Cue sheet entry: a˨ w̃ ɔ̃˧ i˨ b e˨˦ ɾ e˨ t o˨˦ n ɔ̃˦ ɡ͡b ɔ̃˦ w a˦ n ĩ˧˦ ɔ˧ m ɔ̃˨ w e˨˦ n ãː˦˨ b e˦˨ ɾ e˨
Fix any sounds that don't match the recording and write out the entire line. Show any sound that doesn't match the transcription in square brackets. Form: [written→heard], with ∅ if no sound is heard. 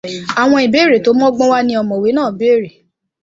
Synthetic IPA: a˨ w̃ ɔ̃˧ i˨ b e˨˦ ɾ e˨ t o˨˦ [n→m] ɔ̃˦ ɡ͡b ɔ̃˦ w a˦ n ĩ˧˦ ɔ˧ m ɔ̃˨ w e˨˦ n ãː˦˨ b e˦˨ ɾ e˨